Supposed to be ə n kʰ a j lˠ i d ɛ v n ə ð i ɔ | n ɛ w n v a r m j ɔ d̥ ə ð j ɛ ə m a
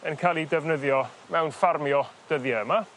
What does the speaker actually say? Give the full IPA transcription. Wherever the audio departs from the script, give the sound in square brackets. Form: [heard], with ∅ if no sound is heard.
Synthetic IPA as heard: ə n kʰ a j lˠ i d ɛ v n ə ð [j] ɔ | [m] ɛ w n [f] a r m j ɔ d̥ ə ð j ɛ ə m a